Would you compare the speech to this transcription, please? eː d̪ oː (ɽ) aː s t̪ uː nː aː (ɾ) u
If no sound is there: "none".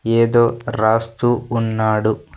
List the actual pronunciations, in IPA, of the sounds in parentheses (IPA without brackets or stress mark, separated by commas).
ɾ, ɽ